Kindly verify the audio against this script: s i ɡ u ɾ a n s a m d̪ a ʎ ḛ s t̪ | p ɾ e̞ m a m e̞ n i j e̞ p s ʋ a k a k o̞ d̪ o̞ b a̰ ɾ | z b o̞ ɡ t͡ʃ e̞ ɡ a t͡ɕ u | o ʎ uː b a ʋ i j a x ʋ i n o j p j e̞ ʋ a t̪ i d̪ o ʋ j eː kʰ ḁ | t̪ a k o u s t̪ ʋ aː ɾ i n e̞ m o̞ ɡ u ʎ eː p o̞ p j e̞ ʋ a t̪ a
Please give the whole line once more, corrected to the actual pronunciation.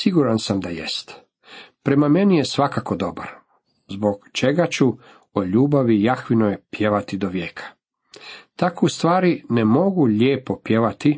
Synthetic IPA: s i ɡ u ɾ a n s a m d̪ a j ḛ s t̪ | p ɾ e̞ m a m e̞ n i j e̞ s ʋ a k a k o̞ d̪ o̞ b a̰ ɾ | z b o̞ ɡ t͡ʃ e̞ ɡ a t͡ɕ u | o ʎ uː b a ʋ i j a x ʋ i n o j p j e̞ ʋ a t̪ i d̪ o ʋ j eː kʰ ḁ | t̪ a k o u s t̪ ʋ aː ɾ i n e̞ m o̞ ɡ u ʎ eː p o̞ p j e̞ ʋ a t̪ i